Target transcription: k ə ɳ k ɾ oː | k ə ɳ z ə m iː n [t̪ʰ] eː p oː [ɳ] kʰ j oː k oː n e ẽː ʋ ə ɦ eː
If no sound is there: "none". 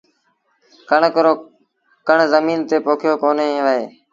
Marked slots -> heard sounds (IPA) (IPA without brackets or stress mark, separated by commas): t̪, none